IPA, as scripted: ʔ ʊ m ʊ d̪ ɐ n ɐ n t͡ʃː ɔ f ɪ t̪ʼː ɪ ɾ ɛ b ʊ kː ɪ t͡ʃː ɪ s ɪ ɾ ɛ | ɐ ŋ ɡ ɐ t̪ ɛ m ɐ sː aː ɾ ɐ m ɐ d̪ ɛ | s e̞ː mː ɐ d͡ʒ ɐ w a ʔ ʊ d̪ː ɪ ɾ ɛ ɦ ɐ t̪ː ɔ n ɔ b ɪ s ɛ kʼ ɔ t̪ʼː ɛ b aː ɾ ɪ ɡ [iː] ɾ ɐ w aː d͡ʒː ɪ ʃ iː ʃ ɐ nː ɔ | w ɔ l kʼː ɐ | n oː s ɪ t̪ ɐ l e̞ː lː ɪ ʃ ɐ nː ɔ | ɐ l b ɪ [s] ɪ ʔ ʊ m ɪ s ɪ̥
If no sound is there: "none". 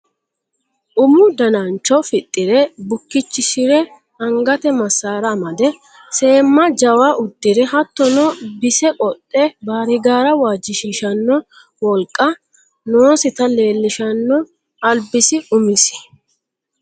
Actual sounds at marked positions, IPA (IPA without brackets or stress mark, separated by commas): aː, s